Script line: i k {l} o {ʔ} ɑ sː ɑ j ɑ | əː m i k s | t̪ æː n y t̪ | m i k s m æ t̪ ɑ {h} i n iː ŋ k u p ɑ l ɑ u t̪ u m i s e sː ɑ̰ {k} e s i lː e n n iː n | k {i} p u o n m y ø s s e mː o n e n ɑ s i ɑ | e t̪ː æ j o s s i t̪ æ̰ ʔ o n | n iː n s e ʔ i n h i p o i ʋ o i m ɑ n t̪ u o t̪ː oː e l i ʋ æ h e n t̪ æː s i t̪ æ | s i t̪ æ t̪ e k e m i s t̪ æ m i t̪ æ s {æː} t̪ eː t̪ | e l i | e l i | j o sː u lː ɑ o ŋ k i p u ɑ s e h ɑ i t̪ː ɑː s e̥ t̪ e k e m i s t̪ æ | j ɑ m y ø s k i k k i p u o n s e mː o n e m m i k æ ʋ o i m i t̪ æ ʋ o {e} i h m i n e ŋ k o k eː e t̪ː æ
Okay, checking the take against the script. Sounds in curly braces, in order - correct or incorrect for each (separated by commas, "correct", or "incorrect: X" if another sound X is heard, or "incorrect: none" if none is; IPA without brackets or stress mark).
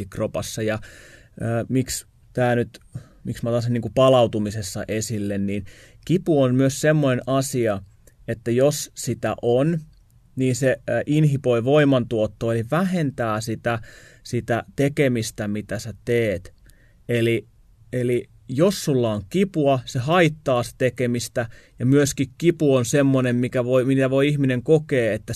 incorrect: r, incorrect: p, incorrect: s, incorrect: ʔ, correct, incorrect: æ, incorrect: i